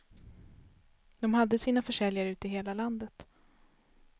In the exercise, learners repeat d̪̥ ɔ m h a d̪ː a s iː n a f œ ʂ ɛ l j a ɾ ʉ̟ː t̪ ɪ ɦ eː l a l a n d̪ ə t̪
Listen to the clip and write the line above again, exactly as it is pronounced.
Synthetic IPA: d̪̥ ɔ m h a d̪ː ə s iː n a f œ ʂ ɛ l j a ɾ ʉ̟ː t̪ ɪ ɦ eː l a l a n d̪ ə t̪